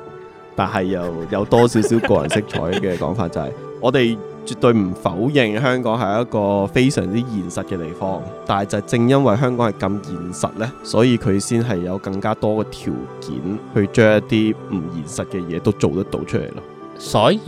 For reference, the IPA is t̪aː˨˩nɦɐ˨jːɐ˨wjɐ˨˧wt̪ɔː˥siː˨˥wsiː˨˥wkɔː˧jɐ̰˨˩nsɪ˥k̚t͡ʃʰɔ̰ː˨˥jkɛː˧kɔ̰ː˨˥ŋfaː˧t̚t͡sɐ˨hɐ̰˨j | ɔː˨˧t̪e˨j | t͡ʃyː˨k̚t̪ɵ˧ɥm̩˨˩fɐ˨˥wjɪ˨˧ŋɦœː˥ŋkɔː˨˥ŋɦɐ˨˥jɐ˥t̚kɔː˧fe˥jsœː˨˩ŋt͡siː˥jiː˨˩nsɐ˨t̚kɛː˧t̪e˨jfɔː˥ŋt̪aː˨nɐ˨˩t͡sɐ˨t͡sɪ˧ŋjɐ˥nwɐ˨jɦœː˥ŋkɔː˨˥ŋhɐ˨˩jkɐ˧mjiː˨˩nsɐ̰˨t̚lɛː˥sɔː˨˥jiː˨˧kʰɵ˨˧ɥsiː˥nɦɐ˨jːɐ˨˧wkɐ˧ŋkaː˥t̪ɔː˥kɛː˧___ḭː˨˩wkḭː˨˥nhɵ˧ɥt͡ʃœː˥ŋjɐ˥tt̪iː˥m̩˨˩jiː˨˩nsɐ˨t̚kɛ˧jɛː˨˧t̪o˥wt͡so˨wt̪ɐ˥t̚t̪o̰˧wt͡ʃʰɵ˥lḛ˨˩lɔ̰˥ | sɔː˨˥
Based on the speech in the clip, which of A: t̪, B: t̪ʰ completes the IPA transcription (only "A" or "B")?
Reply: B